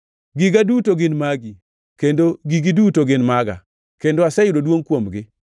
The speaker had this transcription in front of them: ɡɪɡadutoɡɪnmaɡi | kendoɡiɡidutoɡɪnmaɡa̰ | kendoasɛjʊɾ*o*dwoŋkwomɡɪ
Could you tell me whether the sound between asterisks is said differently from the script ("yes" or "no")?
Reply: no